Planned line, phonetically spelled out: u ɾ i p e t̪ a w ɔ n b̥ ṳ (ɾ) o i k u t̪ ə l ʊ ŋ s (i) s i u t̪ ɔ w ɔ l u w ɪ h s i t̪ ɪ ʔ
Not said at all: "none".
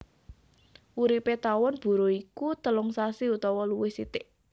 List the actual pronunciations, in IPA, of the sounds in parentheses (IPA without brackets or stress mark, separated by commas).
ɾ, a